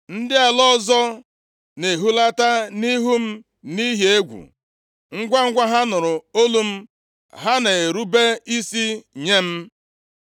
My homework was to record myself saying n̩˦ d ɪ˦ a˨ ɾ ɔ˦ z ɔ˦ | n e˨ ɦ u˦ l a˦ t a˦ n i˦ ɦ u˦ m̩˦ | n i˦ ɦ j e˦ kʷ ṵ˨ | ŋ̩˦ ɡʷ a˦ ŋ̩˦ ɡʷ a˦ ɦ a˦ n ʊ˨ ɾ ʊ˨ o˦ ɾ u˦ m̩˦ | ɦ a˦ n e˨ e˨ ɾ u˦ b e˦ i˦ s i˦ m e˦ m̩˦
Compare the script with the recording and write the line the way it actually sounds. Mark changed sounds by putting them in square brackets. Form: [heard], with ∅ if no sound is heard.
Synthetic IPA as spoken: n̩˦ d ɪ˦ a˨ [l] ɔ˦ z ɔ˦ | n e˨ ɦ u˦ l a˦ t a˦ n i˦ ɦ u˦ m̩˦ | n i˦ ɦ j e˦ [ɡʷ] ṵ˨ | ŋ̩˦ ɡʷ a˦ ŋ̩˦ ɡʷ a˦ ɦ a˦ n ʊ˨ ɾ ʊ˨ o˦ [l] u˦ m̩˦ | ɦ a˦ n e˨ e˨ ɾ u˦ b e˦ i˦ s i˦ [ɲ] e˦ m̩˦